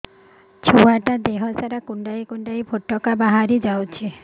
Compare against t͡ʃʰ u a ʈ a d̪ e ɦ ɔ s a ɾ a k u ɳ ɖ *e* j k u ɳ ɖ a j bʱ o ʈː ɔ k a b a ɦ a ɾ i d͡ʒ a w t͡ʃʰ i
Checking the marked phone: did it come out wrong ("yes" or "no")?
yes